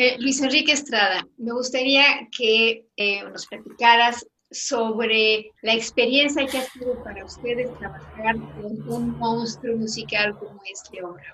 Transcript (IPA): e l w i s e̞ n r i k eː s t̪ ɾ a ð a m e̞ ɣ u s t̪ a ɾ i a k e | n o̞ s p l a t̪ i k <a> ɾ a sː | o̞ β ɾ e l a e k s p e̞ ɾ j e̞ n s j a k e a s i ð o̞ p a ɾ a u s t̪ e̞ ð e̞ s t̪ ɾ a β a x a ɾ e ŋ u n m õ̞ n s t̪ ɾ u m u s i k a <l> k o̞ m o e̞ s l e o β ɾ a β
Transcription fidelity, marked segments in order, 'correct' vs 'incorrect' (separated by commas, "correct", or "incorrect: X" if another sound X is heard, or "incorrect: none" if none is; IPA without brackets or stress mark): correct, correct